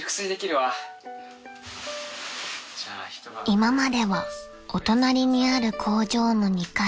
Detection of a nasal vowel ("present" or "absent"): absent